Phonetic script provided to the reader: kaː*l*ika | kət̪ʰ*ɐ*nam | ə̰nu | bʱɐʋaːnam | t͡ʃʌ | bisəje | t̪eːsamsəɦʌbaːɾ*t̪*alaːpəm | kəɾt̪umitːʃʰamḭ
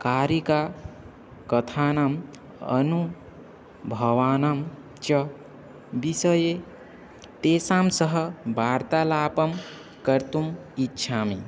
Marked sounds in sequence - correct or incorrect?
incorrect: ɾ, incorrect: a, correct

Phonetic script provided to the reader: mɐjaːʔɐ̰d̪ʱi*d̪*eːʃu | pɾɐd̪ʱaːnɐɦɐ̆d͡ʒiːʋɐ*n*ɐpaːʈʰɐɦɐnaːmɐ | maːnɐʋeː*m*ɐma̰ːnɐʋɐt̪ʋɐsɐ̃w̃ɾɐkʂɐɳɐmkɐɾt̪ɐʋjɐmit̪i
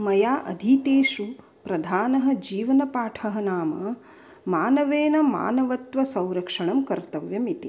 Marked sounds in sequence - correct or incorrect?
incorrect: t̪, correct, incorrect: n

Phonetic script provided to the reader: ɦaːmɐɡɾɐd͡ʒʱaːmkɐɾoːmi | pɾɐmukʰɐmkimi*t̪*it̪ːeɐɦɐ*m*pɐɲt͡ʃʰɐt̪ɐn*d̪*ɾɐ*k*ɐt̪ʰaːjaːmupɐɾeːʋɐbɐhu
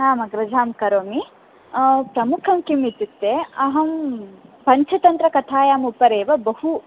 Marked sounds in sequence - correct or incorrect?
correct, correct, incorrect: t̪, correct

